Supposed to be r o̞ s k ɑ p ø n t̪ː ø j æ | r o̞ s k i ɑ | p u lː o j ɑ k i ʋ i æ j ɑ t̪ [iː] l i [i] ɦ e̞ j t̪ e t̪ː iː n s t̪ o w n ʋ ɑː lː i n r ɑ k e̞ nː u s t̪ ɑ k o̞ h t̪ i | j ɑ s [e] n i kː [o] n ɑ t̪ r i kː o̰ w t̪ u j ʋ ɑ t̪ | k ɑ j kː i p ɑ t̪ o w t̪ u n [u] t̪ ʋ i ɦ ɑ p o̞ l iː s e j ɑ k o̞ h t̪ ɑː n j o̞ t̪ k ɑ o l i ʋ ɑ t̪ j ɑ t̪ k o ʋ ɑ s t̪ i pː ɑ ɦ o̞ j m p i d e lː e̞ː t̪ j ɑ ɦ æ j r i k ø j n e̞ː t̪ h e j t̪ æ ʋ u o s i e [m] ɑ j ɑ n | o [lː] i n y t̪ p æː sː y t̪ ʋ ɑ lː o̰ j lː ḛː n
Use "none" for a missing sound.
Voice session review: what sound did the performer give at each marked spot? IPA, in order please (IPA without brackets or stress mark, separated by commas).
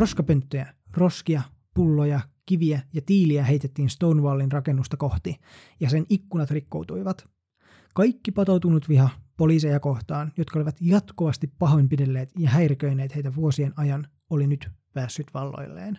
iː, æ, e, u, u, n, l